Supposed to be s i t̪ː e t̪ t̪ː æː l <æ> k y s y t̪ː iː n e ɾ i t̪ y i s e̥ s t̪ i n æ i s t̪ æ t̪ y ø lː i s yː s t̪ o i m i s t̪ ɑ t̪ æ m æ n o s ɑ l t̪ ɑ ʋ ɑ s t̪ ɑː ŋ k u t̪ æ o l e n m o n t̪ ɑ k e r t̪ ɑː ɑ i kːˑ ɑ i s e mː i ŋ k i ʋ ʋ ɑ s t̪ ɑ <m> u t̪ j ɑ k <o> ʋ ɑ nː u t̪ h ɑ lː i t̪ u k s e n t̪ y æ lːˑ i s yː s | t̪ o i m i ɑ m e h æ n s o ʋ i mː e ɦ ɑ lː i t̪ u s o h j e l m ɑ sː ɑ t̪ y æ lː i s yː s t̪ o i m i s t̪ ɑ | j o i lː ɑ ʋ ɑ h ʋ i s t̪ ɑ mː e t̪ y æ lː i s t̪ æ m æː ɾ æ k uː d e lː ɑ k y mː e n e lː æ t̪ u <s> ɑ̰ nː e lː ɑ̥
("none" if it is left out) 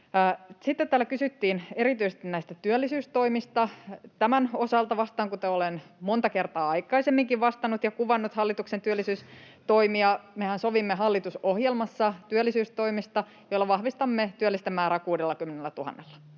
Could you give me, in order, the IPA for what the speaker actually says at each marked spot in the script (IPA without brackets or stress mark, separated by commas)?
æ, n, u, h